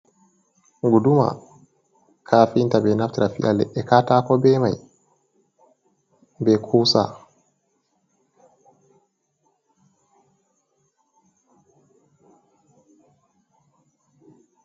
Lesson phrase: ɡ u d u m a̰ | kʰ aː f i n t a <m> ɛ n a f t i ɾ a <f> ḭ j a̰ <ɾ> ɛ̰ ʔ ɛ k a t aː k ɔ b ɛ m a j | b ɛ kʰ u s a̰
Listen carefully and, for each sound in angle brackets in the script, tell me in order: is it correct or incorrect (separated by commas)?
incorrect, correct, incorrect